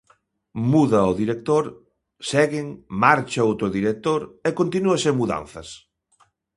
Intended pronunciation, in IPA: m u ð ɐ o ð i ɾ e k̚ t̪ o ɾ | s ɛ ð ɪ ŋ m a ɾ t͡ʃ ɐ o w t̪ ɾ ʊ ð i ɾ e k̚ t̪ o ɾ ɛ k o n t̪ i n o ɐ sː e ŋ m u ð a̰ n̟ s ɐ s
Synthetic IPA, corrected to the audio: m u ð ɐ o ð i ɾ e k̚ t̪ o ɾ | s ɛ ɣ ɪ ŋ m a ɾ t͡ʃ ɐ o w t̪ ɾ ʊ ð i ɾ e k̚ t̪ o ɾ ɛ k o n t̪ i n u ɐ s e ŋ m u ð a̰ n̟ θ ɐ s